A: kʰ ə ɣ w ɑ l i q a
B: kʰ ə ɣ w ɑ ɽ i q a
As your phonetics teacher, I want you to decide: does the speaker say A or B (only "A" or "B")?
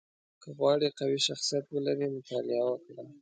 B